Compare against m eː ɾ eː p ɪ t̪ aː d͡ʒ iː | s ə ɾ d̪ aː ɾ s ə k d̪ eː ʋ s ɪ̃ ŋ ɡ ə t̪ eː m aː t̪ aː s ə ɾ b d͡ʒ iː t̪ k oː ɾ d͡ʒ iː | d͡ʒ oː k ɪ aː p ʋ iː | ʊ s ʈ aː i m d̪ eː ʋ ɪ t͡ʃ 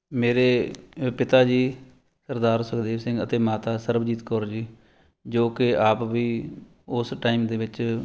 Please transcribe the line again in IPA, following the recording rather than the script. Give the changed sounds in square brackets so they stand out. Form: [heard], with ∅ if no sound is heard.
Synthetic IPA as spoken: m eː ɾ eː p ɪ t̪ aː d͡ʒ iː | s ə ɾ d̪ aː ɾ s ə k d̪ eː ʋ s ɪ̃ ŋ ɡ ə t̪ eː m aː t̪ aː s ə ɾ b d͡ʒ iː t̪ k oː ɾ d͡ʒ iː | d͡ʒ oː k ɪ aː p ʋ iː | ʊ s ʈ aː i m d̪ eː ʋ ɪ t͡ʃ